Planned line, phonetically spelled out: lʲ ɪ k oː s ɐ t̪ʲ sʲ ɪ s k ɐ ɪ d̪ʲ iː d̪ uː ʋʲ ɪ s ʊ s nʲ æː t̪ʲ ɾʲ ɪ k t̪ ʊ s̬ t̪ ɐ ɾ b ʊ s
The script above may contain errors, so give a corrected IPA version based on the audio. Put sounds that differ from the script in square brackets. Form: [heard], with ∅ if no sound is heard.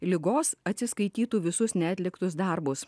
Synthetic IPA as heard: lʲ ɪ [ɡ] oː s ɐ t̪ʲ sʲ ɪ s k ɐ ɪ [t̪ʲ] iː [t̪] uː ʋʲ ɪ s ʊ s nʲ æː t̪ʲ [lʲ] ɪ k t̪ ʊ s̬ [d̪] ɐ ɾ b ʊ s